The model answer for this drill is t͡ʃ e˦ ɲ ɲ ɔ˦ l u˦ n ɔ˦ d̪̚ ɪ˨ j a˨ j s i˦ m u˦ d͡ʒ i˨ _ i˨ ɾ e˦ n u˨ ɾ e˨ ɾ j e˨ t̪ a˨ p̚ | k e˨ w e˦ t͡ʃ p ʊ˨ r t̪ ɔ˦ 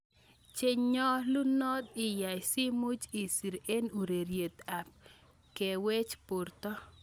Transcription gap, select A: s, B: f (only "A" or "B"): A